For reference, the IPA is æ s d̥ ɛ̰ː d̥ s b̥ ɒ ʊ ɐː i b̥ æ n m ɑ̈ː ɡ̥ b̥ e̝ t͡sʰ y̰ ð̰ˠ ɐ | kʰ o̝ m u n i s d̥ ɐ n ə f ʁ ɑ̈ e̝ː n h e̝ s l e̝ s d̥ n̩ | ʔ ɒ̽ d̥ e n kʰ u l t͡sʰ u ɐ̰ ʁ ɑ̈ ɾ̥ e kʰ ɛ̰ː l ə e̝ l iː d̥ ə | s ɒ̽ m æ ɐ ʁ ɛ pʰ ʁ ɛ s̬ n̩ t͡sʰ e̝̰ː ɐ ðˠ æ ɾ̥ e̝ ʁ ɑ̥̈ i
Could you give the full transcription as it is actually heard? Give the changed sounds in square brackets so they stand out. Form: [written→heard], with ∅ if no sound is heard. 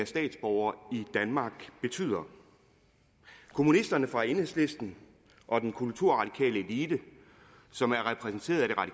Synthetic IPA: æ s d̥ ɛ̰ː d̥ s b̥ ɒ ʊ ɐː i [b̥→d̥] æ n m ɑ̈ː ɡ̥ b̥ e̝ t͡sʰ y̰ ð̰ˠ ɐ | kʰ o̝ m u n i s d̥ ɐ n ə f ʁ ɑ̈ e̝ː n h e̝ s l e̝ s d̥ n̩ | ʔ ɒ̽ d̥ e n kʰ u l t͡sʰ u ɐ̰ ʁ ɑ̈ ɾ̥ [e→i] kʰ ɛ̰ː l ə e̝ l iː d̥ ə | s ɒ̽ m æ ɐ ʁ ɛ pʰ ʁ ɛ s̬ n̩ t͡sʰ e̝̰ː ɐ ðˠ æ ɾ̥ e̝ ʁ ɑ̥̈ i